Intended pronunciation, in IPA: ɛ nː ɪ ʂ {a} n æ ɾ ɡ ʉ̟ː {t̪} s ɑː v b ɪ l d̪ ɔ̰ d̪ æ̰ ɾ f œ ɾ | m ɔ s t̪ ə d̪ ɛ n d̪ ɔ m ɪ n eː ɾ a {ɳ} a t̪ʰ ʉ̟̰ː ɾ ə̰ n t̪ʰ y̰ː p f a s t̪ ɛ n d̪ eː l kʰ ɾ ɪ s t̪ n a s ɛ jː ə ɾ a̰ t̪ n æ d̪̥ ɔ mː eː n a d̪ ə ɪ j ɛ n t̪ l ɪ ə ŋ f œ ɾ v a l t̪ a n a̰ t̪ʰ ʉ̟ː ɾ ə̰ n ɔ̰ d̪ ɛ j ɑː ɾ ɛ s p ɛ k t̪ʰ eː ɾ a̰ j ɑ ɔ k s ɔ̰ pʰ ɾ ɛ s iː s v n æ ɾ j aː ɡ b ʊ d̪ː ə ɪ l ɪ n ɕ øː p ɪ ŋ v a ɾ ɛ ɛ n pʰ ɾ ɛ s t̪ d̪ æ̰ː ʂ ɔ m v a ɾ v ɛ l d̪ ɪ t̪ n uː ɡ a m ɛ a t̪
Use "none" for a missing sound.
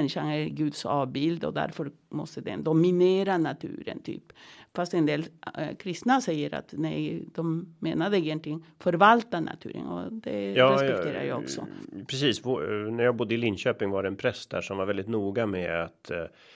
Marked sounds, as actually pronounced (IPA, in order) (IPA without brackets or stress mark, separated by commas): a, d̪, n